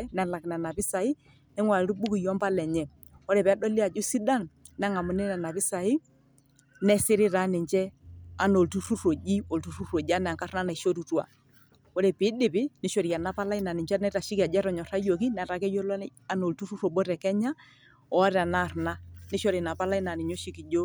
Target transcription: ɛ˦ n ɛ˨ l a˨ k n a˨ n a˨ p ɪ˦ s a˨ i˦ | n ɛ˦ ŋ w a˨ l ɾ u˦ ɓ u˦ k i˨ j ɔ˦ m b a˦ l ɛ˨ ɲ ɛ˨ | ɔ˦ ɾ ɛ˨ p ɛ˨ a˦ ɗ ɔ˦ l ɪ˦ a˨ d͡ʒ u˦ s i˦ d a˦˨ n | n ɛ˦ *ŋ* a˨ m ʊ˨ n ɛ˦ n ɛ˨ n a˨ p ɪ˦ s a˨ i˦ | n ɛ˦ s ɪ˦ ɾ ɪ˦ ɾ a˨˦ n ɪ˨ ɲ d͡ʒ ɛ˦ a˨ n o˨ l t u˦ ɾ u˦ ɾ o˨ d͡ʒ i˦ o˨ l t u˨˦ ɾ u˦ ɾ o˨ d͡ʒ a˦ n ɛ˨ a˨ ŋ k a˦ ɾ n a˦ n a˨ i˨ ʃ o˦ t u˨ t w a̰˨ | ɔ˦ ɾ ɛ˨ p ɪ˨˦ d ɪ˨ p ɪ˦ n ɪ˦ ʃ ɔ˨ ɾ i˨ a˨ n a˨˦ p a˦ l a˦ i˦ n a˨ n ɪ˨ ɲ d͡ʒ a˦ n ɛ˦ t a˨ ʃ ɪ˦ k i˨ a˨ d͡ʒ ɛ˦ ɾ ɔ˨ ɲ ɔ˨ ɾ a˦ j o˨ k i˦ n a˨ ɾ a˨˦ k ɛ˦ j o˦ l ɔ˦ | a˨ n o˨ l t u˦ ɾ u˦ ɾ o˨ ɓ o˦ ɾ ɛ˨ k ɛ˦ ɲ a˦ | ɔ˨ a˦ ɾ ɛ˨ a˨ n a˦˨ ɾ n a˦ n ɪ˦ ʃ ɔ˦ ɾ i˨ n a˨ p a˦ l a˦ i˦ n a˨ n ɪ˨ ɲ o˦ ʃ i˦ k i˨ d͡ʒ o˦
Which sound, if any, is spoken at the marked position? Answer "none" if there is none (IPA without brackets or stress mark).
ŋ